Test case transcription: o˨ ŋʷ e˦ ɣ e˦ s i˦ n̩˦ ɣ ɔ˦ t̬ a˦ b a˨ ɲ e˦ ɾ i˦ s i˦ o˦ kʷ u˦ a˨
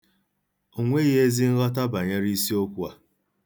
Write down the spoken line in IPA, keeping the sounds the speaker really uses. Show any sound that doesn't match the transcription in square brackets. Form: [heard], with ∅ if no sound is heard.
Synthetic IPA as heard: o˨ ŋʷ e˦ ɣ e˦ [z] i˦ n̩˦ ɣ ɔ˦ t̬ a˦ b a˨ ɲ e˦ ɾ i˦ s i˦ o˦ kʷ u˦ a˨